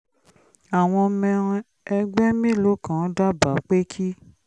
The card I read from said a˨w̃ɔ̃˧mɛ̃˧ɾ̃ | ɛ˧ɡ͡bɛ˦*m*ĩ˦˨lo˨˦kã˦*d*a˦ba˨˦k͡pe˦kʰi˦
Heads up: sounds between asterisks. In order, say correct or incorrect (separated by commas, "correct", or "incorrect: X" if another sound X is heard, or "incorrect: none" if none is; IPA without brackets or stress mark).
correct, correct